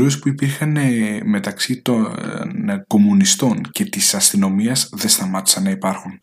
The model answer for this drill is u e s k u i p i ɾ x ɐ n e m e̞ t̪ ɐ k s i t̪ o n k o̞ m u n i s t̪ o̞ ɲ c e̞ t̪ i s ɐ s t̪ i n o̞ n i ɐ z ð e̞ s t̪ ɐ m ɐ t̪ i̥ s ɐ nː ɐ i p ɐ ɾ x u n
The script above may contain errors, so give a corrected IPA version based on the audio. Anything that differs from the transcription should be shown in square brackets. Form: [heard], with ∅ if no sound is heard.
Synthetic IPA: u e s [p] u i p i ɾ x ɐ n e m e̞ t̪ ɐ k s i t̪ o n k o̞ m u n i s t̪ o̞ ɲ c e̞ t̪ i s ɐ s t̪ i n o̞ [m] i ɐ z ð e̞ s t̪ ɐ m ɐ t̪ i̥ s ɐ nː ɐ i p ɐ ɾ x u n